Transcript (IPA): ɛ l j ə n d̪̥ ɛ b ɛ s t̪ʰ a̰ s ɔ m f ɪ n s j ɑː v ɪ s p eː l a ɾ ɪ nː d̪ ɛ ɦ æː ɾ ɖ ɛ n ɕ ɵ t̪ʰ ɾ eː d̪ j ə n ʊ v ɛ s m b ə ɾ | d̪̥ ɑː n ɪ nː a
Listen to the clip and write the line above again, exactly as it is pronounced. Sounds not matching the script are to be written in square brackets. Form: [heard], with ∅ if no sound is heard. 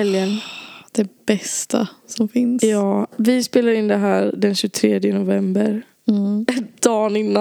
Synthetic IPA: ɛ l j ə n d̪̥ ɛ b ɛ s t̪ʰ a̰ s ɔ m f ɪ n s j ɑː v ɪ s p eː l a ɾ ɪ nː d̪ ɛ ɦ æː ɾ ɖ ɛ n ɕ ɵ t̪ʰ ɾ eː d̪ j ə n ʊ v ɛ [∅] m b ə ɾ | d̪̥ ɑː n ɪ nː a